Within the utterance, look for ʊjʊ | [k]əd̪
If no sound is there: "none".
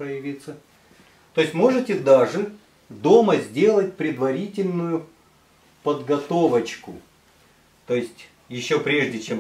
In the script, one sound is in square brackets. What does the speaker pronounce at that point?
p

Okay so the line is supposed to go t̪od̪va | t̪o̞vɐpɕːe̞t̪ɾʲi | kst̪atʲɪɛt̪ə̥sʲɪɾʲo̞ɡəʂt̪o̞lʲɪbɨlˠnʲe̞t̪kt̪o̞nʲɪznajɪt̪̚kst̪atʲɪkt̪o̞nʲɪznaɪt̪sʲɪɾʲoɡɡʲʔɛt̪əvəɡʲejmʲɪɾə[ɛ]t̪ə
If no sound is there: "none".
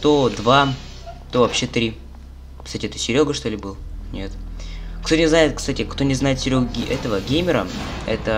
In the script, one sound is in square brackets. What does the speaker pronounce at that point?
ɛ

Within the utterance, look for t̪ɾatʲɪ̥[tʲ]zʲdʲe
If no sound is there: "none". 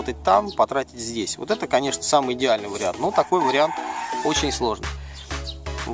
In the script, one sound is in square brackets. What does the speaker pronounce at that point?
tʲ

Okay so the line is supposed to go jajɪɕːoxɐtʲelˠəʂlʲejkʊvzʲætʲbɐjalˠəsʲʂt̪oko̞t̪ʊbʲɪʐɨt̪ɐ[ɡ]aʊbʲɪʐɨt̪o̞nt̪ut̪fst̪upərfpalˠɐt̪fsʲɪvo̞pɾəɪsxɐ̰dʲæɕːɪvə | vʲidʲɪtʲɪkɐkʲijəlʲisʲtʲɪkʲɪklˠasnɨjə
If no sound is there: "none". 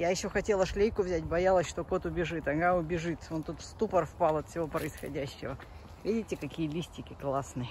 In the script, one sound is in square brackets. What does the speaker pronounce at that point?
ɡ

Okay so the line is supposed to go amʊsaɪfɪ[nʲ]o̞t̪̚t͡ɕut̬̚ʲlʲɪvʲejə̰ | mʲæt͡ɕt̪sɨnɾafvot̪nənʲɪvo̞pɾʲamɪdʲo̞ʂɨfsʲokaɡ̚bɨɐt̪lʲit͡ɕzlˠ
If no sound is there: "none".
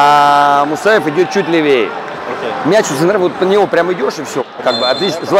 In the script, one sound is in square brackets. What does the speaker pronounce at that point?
dʲ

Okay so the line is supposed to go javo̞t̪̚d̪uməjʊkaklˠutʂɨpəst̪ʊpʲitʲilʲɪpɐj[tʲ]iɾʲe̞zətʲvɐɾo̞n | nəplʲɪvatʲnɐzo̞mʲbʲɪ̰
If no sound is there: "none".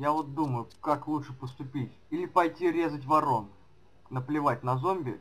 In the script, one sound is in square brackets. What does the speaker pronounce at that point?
tʲ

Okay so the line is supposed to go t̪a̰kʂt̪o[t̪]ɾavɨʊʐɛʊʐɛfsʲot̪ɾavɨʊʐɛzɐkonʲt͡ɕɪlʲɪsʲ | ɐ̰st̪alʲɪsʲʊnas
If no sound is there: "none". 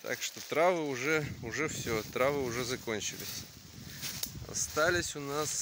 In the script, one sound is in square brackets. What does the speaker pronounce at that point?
t̪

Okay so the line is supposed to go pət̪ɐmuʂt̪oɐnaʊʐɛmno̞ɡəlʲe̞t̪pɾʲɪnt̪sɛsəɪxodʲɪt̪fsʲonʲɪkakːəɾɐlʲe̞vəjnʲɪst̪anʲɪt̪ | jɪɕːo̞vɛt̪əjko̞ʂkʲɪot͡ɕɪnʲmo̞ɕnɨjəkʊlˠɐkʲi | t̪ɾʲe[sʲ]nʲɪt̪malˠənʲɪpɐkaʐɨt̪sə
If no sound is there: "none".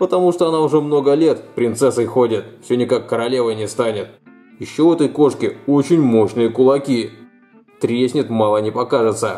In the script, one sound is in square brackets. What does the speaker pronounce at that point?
sʲ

